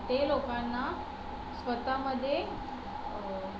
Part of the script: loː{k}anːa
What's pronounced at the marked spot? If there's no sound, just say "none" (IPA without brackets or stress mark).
k